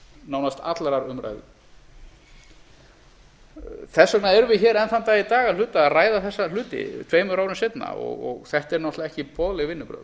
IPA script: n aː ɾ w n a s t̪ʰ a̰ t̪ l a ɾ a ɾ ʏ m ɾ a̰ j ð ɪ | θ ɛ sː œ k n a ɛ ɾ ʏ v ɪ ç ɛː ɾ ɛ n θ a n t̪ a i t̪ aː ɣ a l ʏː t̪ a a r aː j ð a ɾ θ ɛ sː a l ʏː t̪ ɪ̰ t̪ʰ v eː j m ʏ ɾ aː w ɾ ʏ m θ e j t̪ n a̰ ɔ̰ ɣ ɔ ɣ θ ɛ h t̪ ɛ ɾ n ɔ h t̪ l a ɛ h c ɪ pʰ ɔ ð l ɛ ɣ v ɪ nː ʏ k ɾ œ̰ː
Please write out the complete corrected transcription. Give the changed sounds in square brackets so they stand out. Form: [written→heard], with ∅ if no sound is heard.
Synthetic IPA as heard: n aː [ɾ→∅] w n a s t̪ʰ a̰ t̪ l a ɾ a ɾ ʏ m ɾ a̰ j ð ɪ | θ ɛ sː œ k n a ɛ ɾ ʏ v ɪ ç ɛː ɾ ɛ n θ a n t̪ a i t̪ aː ɣ a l ʏː t̪ a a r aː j ð a [ɾ→∅] θ ɛ sː a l ʏː t̪ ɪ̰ t̪ʰ v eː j m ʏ ɾ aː w ɾ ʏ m [θ→s] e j t̪ n a̰ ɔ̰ ɣ ɔ ɣ θ ɛ h t̪ ɛ ɾ n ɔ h t̪ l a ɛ h c ɪ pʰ ɔ ð l ɛ ɣ v ɪ nː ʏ [k→p] ɾ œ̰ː